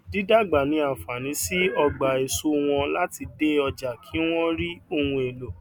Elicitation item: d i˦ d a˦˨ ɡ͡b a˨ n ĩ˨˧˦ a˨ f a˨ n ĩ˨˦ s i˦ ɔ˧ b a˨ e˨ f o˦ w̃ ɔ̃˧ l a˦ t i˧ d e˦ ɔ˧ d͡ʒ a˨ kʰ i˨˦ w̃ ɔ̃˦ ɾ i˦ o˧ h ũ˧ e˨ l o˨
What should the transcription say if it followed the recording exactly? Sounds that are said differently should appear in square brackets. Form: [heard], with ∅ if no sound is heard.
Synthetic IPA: d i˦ d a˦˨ ɡ͡b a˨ n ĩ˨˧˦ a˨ f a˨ n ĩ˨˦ s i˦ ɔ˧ [ɡ͡b] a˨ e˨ [s] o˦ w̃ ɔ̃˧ l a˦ t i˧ d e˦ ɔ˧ d͡ʒ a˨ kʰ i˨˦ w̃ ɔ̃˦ ɾ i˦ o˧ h ũ˧ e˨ l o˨

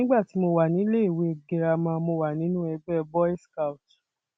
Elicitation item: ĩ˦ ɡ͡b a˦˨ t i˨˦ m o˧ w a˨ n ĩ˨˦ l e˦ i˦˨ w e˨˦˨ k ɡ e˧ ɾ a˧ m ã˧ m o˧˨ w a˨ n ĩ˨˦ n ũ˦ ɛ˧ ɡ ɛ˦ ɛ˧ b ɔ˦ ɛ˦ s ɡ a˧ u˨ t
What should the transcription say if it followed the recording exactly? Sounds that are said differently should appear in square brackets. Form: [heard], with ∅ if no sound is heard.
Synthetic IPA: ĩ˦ ɡ͡b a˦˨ t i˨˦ m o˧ w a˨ n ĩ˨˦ l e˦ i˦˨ w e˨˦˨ [∅] ɡ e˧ ɾ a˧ m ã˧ m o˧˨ w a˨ n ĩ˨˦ n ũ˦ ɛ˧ [ɡ͡b] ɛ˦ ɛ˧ b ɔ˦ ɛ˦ s [k] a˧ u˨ t

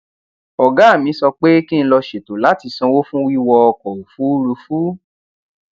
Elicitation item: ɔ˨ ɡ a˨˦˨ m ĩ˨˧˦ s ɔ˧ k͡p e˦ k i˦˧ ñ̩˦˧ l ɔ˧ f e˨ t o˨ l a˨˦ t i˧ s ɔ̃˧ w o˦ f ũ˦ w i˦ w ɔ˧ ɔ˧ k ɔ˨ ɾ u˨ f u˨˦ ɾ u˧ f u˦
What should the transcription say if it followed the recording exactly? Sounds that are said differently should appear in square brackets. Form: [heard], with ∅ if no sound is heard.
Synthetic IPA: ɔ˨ ɡ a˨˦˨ m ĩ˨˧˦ s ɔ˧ k͡p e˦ k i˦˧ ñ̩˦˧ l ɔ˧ [ʃ] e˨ t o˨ l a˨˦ t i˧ s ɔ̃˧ w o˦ f ũ˦ w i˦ w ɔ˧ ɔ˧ k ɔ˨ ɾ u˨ f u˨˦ ɾ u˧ f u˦

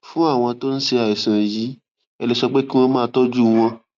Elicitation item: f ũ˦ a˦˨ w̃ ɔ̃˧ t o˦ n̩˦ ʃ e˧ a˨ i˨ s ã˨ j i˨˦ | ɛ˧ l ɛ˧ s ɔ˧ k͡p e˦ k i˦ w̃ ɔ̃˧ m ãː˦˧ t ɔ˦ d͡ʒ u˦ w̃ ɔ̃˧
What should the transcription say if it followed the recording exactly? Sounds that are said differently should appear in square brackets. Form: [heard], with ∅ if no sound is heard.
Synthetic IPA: f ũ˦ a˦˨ w̃ ɔ̃˧ t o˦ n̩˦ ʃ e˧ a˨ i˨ s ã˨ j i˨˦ | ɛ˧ l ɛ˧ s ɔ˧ k͡p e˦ k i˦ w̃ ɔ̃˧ m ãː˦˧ t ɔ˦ d͡ʒ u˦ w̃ ɔ̃˧

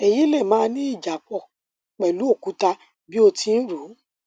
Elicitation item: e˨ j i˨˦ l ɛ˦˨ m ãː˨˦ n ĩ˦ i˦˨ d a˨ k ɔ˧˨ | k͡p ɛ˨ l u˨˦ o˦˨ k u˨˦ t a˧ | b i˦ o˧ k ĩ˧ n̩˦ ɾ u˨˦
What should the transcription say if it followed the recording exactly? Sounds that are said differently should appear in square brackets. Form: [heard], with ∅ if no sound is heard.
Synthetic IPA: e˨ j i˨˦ l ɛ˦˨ m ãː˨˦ n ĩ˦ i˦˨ [d͡ʒ] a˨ [k͡p] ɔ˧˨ | k͡p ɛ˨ l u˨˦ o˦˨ k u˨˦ t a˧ | b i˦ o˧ [t] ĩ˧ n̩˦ ɾ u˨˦

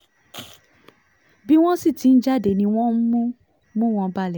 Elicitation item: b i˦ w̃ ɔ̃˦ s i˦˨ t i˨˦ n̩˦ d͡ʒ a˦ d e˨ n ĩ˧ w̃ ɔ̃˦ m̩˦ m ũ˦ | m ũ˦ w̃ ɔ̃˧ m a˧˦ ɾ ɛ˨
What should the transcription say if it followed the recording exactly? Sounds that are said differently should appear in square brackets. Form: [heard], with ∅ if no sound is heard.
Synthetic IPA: b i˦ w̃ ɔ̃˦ s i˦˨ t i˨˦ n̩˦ d͡ʒ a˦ d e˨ n ĩ˧ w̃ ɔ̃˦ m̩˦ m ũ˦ | m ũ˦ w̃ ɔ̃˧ [b] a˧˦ [l] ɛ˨

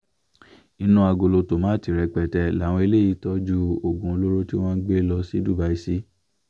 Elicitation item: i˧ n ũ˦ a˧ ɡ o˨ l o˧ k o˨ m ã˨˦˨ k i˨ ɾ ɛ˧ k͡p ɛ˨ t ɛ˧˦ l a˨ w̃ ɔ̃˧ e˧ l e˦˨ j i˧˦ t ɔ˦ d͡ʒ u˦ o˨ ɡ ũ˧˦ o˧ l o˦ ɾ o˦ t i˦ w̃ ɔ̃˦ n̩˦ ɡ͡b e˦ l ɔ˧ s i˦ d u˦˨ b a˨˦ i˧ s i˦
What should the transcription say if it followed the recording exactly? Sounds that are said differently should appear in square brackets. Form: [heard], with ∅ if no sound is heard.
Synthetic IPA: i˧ n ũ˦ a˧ ɡ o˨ l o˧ [t] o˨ m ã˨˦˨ [t] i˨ ɾ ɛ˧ k͡p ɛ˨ t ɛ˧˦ l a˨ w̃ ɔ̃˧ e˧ l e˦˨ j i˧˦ t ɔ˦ d͡ʒ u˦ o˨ ɡ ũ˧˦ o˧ l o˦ ɾ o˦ t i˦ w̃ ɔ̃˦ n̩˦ ɡ͡b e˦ l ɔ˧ s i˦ d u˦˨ b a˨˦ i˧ s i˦

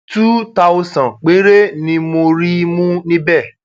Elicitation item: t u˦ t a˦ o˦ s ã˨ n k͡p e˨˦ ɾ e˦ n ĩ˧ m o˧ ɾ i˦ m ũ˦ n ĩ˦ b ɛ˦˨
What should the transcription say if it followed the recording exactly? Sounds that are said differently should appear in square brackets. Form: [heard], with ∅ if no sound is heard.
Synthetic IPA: t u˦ t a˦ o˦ s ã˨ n k͡p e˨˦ ɾ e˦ n ĩ˧ m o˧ ɾ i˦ m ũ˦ n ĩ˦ b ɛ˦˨

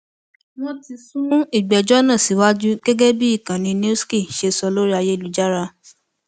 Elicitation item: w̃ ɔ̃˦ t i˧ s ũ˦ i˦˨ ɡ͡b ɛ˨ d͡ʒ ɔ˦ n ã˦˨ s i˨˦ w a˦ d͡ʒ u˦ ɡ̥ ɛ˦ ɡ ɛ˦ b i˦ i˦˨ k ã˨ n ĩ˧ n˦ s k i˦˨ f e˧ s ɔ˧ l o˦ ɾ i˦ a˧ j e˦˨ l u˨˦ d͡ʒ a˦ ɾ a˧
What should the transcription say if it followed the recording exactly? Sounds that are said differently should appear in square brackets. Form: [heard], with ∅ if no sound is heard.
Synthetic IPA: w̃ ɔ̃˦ t i˧ s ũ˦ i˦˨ ɡ͡b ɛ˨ d͡ʒ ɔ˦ n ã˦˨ s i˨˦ w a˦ d͡ʒ u˦ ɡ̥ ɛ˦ ɡ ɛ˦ b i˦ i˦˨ k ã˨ n ĩ˧ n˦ s k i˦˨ [ʃ] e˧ s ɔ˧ l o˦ ɾ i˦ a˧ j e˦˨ l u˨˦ d͡ʒ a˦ ɾ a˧

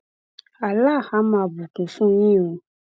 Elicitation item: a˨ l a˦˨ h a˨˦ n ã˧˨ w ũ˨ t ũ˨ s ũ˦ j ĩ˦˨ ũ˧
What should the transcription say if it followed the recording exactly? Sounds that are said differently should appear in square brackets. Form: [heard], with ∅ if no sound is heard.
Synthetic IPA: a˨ l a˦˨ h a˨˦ [m] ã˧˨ [b] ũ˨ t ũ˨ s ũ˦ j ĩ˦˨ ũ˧

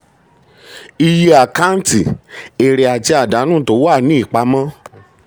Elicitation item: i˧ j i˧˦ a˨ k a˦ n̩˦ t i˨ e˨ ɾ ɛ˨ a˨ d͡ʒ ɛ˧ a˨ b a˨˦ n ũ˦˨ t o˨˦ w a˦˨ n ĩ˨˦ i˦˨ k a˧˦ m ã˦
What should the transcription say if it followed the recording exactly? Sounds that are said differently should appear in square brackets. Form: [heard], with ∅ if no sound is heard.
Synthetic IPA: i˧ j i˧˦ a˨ k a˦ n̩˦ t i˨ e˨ ɾ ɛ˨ a˨ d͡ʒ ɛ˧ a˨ [d] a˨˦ n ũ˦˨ t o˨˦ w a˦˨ n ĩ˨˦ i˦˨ [k͡p] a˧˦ m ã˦

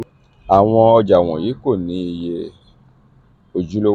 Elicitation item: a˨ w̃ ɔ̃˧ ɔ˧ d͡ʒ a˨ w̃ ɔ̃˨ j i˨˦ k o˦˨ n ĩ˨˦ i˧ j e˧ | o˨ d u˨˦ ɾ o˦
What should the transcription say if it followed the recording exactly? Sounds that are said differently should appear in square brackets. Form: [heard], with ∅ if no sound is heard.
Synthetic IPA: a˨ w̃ ɔ̃˧ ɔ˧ d͡ʒ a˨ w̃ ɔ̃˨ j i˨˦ k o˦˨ n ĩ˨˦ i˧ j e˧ | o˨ [d͡ʒ] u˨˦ [l] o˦

